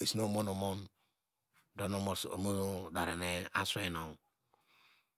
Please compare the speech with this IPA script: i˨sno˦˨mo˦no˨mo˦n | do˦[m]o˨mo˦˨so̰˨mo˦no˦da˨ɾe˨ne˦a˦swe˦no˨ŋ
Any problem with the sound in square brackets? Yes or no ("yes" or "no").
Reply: yes